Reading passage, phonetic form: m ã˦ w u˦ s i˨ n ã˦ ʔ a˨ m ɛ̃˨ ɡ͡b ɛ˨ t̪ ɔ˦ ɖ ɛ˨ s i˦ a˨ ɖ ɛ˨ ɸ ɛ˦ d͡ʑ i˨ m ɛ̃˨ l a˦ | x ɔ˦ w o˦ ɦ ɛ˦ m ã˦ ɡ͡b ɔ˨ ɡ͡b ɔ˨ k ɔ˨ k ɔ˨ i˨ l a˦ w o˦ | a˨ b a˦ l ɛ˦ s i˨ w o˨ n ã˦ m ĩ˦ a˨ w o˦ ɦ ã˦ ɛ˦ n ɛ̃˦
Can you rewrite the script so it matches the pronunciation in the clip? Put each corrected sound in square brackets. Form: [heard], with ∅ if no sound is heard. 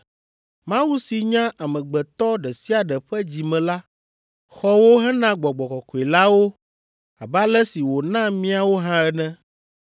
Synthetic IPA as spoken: m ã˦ w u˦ s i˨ [ɲ] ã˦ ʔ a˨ m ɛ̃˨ ɡ͡b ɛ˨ t̪ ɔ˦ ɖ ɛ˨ s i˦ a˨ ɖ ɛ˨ ɸ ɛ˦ d͡ʑ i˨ m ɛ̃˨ l a˦ | x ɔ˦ w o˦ ɦ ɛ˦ [n] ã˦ ɡ͡b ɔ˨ ɡ͡b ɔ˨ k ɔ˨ k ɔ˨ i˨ l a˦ w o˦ | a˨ b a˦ l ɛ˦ s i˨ w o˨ n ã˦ m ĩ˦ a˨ w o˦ ɦ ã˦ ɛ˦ n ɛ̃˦